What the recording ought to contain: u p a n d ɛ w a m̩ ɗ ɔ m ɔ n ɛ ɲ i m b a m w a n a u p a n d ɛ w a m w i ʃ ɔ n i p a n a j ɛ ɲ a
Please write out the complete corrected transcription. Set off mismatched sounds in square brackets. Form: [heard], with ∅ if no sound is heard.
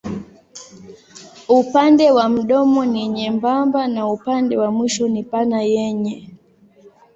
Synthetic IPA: u p a n d ɛ w a m̩ ɗ ɔ m ɔ n [i] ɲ [ɛ] m b a m [b] a n a u p a n d ɛ w a m w i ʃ ɔ n i p a n a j ɛ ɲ [ɛ]